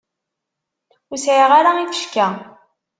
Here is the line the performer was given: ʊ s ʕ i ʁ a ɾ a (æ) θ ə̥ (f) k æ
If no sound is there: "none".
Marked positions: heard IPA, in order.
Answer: i, ʃ

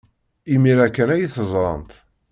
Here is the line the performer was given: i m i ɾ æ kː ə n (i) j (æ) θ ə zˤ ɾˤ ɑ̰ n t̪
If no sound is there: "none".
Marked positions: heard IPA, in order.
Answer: æ, i

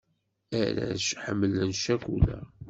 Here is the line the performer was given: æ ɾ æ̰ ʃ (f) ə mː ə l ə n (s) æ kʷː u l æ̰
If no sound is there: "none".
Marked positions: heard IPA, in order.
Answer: ħ, ʃ

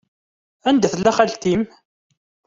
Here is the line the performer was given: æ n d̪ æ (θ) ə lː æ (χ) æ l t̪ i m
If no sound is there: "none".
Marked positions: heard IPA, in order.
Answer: θ, χ

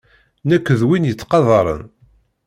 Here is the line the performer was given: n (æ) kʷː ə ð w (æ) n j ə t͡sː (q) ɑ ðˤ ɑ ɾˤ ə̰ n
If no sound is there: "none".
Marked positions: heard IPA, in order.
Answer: æ, i, q

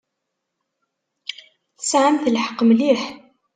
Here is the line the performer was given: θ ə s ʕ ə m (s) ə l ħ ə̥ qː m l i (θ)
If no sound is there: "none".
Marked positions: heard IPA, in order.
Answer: θ, ħ

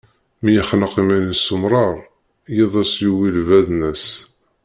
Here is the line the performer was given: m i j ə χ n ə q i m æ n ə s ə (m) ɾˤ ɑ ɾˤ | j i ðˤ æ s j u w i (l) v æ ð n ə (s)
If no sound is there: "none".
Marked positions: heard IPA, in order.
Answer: m, l, s

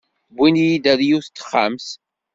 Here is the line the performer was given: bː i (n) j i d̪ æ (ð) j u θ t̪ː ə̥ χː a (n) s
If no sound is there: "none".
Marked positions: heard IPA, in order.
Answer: n, ð, m

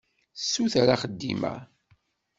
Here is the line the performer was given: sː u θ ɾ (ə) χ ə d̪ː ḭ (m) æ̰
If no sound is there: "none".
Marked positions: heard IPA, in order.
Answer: a, m

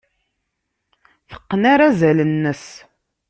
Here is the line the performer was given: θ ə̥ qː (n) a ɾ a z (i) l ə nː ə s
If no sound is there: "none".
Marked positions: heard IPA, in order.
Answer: n, æ

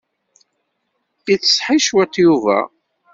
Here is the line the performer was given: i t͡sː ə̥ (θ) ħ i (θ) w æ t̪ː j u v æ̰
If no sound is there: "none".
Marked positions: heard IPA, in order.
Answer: s, ʃ

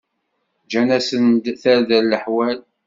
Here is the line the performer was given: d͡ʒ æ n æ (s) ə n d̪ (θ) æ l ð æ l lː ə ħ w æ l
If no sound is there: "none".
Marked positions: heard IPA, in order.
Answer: s, θ

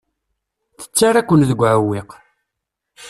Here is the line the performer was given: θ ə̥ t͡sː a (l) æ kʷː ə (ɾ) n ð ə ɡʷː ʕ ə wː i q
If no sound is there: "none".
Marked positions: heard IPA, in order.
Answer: ɾ, none

